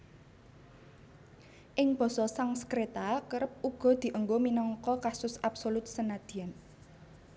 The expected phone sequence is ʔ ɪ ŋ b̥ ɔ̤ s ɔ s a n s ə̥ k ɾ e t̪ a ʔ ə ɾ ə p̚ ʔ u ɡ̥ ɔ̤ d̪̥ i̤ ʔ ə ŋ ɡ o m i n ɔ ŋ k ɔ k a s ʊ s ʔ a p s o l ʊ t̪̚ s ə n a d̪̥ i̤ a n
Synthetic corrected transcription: ʔ ɪ ŋ b̥ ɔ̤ s ɔ s a ŋ s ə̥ k ɾ e t̪ a k ə ɾ ə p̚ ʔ u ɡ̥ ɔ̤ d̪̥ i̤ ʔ ə ŋ ɡ o m i n ɔ ŋ k ɔ k a s ʊ s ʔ a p s o l ʊ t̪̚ s ə n a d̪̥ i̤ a n